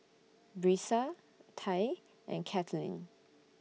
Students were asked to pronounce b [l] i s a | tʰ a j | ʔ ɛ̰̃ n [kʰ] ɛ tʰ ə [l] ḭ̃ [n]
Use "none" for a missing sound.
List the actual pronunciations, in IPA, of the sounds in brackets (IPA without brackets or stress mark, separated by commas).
ɹ, kʰ, l, n